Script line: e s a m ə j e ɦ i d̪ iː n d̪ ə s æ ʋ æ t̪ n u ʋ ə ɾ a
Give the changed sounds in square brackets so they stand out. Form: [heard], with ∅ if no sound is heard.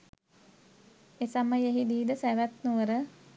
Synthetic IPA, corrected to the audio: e s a m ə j e ɦ i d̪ iː [∅] d̪ ə s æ ʋ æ t̪ n u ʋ ə ɾ [ə]